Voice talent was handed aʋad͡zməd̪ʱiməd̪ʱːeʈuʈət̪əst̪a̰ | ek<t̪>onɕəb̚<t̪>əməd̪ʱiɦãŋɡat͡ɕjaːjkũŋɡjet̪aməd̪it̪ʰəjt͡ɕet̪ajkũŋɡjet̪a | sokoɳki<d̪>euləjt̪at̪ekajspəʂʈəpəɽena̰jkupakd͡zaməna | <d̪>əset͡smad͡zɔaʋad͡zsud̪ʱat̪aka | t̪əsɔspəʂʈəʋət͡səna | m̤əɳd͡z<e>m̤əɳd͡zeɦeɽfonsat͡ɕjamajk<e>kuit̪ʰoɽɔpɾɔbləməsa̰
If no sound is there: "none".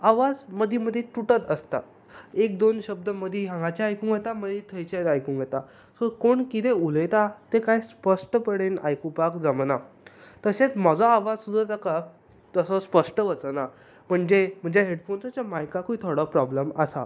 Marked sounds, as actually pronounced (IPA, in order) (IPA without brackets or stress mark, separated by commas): d̪, d̪, t̪, t̪, e, a